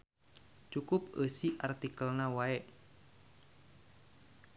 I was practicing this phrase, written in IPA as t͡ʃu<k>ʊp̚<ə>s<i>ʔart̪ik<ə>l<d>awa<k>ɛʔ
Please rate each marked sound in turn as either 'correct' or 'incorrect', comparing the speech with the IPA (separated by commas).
correct, correct, correct, correct, incorrect, incorrect